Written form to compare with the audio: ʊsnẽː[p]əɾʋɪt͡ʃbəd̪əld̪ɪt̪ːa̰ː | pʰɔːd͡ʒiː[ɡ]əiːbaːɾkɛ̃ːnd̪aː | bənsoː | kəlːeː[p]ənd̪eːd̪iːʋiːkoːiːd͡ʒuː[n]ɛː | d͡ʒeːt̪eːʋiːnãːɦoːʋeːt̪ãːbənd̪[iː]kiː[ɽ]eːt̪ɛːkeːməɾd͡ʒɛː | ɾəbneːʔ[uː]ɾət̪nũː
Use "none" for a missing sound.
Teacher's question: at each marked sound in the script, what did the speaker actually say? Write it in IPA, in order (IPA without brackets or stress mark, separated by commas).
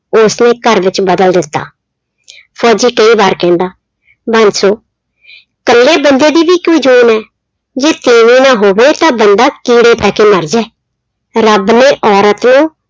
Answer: k, k, b, n, aː, ɽ, ɔː